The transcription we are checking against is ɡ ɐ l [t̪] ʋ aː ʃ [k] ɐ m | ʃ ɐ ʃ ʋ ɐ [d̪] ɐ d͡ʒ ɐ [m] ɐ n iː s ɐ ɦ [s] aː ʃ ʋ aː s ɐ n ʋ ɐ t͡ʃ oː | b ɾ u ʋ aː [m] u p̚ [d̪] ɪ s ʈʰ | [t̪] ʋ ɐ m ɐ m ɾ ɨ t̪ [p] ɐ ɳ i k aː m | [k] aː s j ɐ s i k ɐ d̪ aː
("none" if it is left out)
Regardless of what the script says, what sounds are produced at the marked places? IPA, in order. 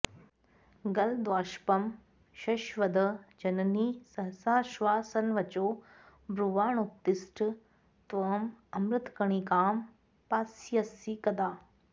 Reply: d̪, p, d̪, n, s, ɳ, t̪, t̪, k, p

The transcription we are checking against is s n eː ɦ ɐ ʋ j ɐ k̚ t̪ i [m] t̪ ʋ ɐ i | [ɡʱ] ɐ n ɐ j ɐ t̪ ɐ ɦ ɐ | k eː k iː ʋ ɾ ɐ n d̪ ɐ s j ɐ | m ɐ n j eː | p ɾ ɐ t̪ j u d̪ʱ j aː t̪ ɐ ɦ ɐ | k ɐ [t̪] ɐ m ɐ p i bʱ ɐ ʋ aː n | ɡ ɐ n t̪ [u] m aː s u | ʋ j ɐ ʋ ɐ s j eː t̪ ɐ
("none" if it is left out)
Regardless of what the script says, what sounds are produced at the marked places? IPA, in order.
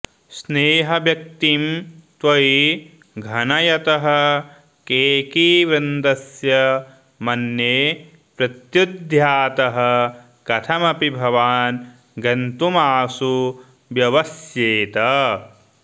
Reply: m, ɡʱ, t̪ʰ, u

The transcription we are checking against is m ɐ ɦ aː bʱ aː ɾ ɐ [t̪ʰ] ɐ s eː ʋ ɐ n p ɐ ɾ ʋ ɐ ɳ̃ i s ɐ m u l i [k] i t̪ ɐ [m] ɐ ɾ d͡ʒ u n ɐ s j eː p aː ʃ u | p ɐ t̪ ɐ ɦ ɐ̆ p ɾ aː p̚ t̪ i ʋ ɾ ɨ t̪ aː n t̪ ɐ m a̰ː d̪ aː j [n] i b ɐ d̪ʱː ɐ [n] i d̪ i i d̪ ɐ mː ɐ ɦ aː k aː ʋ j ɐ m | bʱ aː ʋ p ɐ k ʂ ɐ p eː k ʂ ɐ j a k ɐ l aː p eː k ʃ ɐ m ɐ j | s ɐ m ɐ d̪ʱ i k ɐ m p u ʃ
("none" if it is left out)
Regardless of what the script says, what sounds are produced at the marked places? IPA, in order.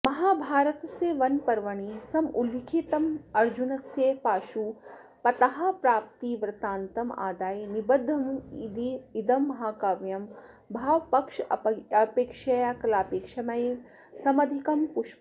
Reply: t̪, kʰ, m, n, m

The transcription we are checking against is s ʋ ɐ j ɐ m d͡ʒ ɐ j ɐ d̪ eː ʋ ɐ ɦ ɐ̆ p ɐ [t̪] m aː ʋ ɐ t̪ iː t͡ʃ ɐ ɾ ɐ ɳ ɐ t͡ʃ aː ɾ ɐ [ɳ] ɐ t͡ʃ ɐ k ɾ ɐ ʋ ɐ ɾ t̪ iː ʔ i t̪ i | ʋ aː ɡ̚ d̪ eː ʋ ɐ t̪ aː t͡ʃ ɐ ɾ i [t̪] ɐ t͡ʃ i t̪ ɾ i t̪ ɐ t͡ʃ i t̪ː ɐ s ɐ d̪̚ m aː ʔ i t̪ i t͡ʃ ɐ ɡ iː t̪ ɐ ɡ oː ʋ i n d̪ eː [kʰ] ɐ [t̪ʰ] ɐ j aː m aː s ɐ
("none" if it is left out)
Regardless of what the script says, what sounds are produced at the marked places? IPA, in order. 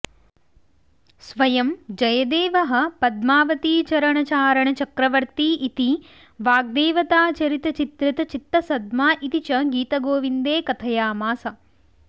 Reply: d̪, ɳ, t̪, k, t̪ʰ

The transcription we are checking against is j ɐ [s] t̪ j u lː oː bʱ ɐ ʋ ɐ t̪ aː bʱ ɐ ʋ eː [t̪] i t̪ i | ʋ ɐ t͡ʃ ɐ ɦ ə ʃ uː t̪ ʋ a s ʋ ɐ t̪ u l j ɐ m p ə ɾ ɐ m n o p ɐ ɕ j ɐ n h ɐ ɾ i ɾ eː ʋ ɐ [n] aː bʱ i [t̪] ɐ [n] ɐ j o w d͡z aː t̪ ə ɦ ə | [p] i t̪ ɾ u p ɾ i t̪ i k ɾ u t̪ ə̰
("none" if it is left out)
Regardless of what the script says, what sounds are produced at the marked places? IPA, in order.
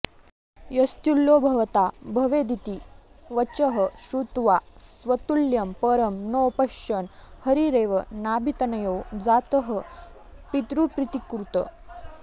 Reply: s, d̪, n, t̪, n, p

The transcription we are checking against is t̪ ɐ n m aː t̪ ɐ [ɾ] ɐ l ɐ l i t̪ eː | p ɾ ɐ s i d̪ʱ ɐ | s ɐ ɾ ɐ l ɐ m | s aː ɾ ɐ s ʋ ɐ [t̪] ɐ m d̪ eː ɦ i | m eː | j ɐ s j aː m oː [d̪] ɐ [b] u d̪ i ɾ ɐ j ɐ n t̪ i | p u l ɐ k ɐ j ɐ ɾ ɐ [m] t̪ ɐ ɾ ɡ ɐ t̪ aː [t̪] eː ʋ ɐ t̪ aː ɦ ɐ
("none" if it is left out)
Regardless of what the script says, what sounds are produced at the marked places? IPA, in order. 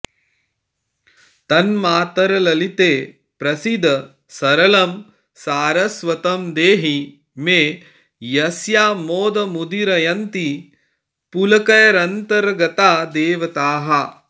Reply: ɾ, t̪, d̪, m, n, d̪

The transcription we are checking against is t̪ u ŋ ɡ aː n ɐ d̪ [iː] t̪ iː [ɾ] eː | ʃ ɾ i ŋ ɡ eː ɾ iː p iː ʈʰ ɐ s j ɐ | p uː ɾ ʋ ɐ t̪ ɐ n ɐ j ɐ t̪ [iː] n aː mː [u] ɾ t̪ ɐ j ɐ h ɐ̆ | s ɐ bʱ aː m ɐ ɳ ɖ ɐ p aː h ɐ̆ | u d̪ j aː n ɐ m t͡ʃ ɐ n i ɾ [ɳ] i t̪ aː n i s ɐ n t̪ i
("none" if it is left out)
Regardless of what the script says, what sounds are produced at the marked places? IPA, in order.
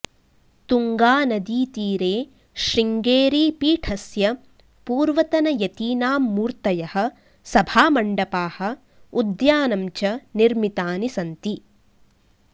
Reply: iː, ɾ, iː, uː, m

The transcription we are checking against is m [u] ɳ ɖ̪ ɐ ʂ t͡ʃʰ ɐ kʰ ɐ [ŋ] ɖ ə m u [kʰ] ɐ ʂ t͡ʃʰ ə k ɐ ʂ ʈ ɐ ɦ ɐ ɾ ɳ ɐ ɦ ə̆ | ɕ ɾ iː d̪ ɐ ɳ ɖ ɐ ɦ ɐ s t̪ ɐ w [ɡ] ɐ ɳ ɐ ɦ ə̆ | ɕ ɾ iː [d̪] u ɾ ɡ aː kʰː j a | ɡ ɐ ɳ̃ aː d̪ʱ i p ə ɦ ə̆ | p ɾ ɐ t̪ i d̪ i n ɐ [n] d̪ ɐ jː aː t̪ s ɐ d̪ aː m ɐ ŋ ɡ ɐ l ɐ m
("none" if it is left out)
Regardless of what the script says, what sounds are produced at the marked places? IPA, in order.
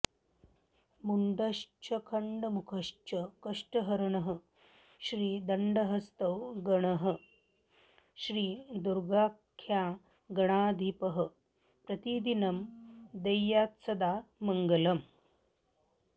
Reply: u, ɳ, kʰ, ɡ, d̪, m

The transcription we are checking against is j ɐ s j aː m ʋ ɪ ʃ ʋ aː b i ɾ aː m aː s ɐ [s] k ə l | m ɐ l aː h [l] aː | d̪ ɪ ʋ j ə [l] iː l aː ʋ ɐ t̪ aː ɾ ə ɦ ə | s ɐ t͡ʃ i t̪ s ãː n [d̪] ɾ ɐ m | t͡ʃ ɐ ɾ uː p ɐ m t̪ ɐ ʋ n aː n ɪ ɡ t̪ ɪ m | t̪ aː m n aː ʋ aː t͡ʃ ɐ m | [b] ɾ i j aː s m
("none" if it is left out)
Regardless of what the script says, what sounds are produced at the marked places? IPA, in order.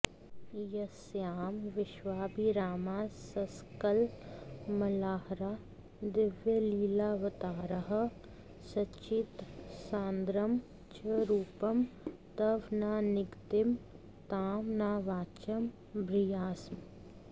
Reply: s, ɾ, l, d̪, b

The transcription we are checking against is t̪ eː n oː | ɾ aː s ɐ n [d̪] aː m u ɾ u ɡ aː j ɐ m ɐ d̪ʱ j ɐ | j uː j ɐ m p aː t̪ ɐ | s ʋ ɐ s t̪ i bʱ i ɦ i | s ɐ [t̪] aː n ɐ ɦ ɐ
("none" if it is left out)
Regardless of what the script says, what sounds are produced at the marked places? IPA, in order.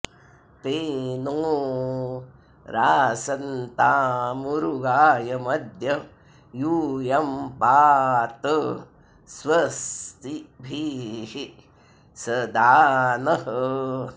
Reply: t̪, d̪

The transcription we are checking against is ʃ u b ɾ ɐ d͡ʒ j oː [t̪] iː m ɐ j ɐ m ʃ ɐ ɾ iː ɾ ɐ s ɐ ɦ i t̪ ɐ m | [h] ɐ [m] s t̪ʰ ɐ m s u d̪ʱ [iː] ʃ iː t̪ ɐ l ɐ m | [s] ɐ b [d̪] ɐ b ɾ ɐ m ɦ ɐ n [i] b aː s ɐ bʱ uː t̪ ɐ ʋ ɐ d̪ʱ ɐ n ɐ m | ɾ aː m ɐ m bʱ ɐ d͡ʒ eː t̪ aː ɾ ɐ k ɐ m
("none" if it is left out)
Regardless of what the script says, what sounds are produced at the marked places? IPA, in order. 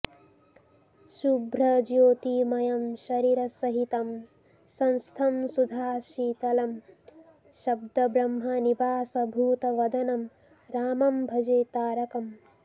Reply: t̪, s, n, aː, ʃ, d̪, i

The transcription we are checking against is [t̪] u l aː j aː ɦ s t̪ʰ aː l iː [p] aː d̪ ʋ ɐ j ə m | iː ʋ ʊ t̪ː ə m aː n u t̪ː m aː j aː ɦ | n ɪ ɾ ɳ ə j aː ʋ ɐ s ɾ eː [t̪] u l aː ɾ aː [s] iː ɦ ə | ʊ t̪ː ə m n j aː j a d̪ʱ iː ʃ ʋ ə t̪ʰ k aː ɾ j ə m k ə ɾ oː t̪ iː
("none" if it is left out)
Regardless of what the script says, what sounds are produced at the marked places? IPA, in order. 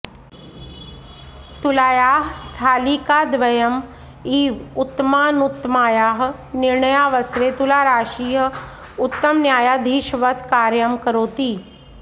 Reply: t̪, k, t̪, ʃ

